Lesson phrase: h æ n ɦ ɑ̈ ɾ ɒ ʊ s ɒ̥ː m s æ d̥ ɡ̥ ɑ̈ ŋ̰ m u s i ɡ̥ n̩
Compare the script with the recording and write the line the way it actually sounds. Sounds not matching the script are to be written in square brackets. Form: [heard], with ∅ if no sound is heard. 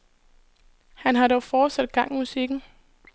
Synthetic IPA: h æ n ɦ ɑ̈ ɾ ɒ ʊ [f] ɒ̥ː [∅] s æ d̥ ɡ̥ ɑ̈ ŋ̰ m u s i ɡ̥ n̩